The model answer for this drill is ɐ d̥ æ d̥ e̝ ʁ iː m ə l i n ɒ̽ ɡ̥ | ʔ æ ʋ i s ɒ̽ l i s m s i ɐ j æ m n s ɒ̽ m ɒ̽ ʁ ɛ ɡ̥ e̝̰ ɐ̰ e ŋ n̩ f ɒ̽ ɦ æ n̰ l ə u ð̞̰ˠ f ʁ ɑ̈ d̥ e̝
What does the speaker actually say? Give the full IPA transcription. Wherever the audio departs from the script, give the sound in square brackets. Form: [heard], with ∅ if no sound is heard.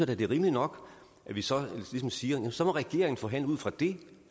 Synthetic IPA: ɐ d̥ æ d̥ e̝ ʁ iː m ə l i n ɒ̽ ɡ̥ | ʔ æ ʋ i s ɒ̽ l i s m s [iː] ɐ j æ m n s ɒ̽ m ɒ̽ ʁ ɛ ɡ̥ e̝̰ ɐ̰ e ŋ n̩ f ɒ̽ ɦ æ n̰ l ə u ð̞̰ˠ f ʁ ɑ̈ d̥ e̝